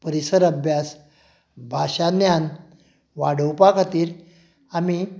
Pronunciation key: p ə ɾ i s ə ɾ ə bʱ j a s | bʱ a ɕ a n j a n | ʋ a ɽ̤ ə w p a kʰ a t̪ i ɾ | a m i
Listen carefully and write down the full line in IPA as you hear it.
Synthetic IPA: p ə ɾ i s ə ɾ ə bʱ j a s | bʱ a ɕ a n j a n | ʋ a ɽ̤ ə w p a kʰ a t̪ iː ɾ | a m i